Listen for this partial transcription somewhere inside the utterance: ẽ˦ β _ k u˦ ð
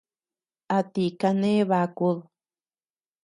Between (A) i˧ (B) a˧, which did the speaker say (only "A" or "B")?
B